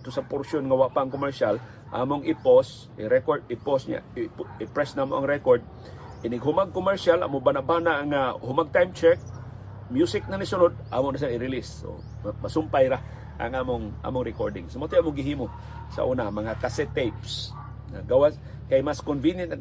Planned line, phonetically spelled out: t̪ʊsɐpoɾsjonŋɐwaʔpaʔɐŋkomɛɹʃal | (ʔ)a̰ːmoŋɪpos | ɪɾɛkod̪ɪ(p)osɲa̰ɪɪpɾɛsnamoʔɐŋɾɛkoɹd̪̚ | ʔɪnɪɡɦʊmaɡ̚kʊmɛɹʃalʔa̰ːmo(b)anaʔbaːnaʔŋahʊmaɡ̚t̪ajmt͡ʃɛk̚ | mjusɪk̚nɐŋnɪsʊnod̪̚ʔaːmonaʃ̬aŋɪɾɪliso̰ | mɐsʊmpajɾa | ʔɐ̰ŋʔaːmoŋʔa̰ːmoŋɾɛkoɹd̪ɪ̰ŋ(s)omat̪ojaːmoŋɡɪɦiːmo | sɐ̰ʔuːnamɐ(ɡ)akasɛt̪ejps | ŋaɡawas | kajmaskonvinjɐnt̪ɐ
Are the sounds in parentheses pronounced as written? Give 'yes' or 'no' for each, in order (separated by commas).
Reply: yes, yes, yes, yes, no